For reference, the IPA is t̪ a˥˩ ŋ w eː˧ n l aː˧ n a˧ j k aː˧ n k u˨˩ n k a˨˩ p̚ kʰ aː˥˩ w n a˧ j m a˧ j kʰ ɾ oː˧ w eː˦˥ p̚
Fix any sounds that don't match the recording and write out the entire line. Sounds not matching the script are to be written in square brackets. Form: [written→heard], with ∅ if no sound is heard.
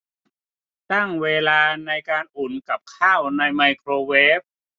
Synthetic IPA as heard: t̪ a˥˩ ŋ w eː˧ [n→∅] l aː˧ n a˧ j k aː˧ n [k→ʔ] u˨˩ n k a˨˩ p̚ kʰ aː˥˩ w n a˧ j m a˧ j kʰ ɾ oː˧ w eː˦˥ p̚